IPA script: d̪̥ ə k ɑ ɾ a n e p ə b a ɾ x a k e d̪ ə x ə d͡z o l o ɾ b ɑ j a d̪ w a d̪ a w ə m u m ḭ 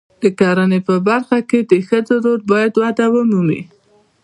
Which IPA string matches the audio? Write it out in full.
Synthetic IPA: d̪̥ ə k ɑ ɾ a n e p ə b a ɾ x a k e d̪ ə x ə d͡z o ɾ o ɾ b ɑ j a d̪ w a d̪ a w ə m u m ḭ